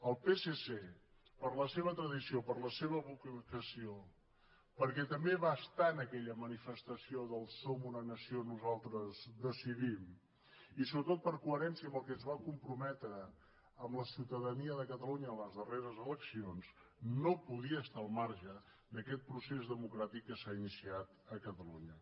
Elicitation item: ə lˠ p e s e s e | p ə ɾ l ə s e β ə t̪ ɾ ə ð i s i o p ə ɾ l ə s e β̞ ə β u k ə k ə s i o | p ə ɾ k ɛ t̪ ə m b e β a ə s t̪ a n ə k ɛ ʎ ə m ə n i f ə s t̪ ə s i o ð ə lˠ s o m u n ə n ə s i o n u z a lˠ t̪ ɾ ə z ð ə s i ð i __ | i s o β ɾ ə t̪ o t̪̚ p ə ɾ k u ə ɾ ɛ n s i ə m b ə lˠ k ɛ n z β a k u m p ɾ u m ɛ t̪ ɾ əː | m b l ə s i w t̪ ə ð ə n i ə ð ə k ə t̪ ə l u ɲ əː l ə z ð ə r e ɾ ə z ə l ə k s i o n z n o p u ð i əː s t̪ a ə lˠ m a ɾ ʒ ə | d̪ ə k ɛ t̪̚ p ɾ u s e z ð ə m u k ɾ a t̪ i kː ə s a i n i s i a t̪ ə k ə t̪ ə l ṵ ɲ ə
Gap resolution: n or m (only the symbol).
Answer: m